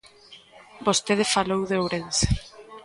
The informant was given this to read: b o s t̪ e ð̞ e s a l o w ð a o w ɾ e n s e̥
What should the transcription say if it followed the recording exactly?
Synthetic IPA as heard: b o s t̪ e ð̞ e f a l o w ð e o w ɾ e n s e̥